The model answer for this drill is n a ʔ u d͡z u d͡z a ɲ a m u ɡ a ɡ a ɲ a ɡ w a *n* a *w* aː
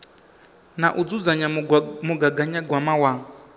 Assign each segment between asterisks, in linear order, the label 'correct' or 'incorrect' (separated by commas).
incorrect, correct